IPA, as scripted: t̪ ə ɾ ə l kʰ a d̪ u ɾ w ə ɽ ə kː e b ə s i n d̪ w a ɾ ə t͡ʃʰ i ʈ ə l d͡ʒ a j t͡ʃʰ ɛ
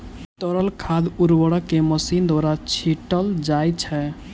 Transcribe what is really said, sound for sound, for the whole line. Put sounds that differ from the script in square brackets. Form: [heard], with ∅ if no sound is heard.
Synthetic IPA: t̪ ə ɾ ə l kʰ a d̪ u ɾ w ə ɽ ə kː e [m] ə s i n d̪ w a ɾ [a] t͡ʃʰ i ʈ ə l d͡ʒ a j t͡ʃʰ ɛ